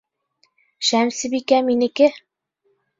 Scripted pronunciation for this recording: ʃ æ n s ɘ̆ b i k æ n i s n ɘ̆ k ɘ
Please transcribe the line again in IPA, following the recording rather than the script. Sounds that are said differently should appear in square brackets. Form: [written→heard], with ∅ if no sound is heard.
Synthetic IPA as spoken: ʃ æ [n→m] s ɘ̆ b i k æ [n→m] i [s→∅] n ɘ̆ k ɘ